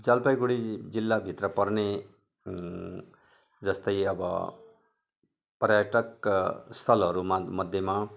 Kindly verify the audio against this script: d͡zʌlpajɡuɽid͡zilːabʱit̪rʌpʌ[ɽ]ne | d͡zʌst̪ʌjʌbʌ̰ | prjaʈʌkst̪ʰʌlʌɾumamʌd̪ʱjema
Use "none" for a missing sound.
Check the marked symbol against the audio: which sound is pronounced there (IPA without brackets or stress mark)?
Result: r